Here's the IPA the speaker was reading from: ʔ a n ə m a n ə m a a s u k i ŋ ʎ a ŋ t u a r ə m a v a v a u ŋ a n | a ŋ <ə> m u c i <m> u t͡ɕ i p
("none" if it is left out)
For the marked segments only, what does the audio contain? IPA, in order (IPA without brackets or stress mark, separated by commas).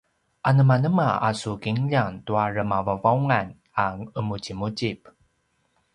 ə, m